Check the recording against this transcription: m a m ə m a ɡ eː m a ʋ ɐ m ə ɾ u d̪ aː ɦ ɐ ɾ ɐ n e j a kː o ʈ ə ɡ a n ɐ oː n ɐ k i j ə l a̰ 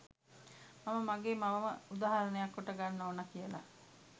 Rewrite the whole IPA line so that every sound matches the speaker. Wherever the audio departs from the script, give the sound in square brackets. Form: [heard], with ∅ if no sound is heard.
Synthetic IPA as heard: m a m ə m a ɡ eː m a ʋ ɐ m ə [∅] u d̪ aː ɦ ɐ ɾ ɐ n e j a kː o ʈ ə ɡ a [nː] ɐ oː n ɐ k i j ə l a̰